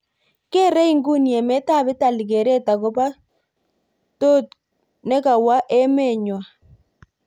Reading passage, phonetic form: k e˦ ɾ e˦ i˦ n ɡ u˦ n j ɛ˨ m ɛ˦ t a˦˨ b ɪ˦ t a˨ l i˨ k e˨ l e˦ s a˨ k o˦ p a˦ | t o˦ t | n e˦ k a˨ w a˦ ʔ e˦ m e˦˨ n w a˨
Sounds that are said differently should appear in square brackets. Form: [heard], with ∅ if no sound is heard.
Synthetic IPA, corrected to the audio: k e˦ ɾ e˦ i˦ [ŋ] ɡ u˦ n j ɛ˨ m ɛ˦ t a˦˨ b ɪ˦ t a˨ l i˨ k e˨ [ɾ] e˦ [t] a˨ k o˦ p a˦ | t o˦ t | n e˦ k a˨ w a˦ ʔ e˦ m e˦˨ [ɲ] w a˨

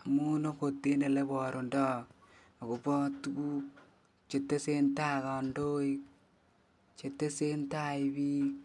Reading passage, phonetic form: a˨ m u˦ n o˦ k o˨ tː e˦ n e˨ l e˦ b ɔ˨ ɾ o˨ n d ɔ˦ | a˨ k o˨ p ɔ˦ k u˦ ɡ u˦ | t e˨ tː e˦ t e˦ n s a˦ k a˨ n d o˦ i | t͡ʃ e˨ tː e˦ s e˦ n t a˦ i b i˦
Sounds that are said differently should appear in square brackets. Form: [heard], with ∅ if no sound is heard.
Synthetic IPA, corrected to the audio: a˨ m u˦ n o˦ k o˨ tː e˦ n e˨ l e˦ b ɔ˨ ɾ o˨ n d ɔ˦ | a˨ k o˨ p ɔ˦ [t] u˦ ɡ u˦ | [t͡ʃ] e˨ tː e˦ [s] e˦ n [t] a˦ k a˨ n d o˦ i | t͡ʃ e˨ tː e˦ s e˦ n t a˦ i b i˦

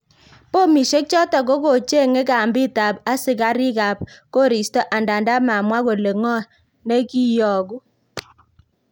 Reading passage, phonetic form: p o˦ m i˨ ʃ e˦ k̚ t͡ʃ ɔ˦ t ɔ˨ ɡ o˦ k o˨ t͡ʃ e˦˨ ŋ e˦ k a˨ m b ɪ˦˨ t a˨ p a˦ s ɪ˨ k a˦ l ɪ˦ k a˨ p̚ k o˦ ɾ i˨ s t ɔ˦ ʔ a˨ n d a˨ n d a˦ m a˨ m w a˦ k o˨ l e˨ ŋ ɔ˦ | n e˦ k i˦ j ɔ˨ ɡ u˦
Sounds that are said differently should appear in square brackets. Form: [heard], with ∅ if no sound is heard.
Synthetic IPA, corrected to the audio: p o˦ m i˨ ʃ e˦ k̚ t͡ʃ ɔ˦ t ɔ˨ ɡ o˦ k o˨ t͡ʃ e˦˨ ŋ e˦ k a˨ m b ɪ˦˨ t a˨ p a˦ s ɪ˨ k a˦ [ɾ] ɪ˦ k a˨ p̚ k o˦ ɾ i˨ s t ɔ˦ ʔ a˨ n d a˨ n d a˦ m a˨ m w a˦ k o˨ l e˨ ŋ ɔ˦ | n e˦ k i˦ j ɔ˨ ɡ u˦

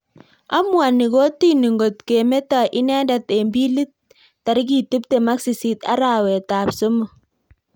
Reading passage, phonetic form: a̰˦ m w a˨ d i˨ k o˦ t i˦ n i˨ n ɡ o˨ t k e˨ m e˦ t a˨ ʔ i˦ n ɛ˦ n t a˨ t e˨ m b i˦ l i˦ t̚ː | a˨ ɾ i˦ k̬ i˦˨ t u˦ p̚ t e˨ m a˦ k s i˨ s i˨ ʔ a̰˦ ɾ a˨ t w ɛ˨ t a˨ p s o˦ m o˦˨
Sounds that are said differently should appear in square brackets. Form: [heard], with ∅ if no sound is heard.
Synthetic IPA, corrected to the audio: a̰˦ m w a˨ [n] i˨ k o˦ t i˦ n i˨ [ŋ] ɡ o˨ t k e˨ m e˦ t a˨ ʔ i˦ n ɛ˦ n [d] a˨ t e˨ m b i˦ l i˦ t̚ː | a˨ ɾ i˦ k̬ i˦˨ t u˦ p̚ t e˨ m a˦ k s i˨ s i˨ [t] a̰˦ ɾ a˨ [∅] w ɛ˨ t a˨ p s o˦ m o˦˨

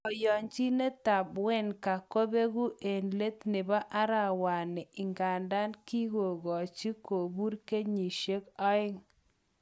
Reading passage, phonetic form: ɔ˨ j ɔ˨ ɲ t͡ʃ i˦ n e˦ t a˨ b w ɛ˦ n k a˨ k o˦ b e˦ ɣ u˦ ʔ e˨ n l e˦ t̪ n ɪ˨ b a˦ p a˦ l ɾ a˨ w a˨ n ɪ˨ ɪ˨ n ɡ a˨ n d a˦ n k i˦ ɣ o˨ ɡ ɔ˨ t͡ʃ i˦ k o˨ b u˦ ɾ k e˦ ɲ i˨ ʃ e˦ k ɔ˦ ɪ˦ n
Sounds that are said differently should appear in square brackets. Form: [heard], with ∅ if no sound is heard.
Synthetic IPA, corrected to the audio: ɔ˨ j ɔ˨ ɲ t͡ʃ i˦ n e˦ t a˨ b w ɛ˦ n k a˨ k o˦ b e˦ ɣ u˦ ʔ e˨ n l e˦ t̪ n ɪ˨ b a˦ [ʔ] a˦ [∅] ɾ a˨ w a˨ n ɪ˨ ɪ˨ [ŋ] ɡ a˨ n d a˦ n k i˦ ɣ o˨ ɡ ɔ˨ t͡ʃ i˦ k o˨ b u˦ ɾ k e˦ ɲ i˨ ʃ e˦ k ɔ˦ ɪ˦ [ŋ]

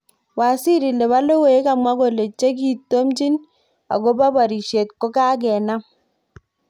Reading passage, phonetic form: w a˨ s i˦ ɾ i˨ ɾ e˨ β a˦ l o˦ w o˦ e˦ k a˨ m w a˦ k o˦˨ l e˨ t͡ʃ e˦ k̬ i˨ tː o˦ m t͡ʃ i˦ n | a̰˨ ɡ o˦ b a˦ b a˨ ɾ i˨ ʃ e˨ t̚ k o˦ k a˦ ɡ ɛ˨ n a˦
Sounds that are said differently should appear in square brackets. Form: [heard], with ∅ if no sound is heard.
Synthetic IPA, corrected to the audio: w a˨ s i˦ ɾ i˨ [l] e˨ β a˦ l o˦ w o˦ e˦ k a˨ m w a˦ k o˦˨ l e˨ t͡ʃ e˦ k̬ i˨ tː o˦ m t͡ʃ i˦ n | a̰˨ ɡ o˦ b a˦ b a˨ ɾ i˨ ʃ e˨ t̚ k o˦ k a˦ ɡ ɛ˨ n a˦

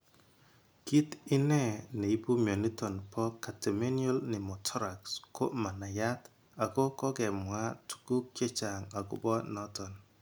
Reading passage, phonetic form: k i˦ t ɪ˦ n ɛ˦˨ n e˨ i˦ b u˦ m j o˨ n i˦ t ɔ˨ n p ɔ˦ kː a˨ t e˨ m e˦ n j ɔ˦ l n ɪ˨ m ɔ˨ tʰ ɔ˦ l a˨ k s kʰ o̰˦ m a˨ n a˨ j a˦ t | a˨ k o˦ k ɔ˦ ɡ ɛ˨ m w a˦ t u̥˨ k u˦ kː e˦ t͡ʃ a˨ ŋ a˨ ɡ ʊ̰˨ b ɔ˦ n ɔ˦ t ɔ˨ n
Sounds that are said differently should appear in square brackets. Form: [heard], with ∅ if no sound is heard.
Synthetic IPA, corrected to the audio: k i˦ t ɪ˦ n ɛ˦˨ n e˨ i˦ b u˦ m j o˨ n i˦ t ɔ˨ n p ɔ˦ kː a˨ t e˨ m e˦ n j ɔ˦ l n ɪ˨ m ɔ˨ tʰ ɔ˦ [ɾ] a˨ k s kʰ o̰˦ m a˨ n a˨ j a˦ t | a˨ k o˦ k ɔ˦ ɡ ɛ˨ m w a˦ t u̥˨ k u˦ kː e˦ t͡ʃ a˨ ŋ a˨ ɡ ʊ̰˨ b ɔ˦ n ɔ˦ t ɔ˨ n

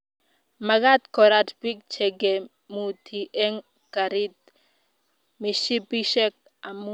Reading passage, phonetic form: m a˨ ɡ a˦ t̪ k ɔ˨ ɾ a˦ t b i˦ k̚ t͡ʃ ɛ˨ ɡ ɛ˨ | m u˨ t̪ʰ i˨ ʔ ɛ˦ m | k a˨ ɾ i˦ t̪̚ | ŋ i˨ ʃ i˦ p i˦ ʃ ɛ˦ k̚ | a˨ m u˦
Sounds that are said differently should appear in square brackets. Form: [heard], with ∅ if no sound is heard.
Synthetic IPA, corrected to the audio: m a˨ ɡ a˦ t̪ k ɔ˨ ɾ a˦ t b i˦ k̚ t͡ʃ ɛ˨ ɡ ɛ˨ | m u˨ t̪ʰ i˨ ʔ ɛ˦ [ŋ] | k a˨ ɾ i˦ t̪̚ | [m] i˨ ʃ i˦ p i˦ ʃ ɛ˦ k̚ | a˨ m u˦

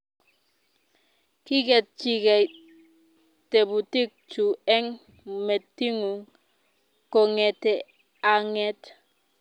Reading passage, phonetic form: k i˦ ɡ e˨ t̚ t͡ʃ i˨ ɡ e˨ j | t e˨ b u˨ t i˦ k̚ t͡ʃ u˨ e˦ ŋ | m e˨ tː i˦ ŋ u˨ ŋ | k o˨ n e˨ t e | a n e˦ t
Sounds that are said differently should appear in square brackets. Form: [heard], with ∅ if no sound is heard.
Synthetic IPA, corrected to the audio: k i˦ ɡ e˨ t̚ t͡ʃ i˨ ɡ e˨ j | t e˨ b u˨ t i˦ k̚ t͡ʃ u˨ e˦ ŋ | m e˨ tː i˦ ŋ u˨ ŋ | k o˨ [ŋ] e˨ t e | a [ŋ] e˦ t

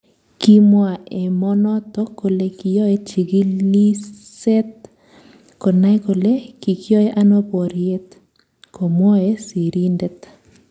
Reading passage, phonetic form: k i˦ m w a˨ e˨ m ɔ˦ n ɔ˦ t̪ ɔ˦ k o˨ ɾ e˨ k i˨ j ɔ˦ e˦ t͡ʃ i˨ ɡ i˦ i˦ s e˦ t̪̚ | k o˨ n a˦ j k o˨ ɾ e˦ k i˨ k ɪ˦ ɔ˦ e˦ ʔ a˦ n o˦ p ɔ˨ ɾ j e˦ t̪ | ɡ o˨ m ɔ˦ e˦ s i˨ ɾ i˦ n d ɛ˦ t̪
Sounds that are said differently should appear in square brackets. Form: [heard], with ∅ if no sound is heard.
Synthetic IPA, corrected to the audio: k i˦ m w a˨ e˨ m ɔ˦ n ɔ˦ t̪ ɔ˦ k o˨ [l] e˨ k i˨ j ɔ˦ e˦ t͡ʃ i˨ ɡ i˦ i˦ s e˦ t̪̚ | k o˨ n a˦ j k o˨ [l] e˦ k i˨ k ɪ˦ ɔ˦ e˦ ʔ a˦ n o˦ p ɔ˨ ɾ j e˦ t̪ | [k] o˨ m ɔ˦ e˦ s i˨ ɾ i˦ n d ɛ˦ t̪

